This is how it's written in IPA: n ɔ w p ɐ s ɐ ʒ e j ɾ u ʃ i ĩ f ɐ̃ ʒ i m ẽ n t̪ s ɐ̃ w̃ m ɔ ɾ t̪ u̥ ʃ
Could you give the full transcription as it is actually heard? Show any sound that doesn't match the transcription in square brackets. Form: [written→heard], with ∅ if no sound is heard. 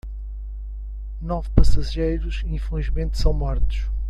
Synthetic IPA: n ɔ [w→v] p ɐ s ɐ ʒ e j ɾ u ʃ i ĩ f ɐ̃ ʒ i m ẽ n t̪ s ɐ̃ w̃ m ɔ ɾ t̪ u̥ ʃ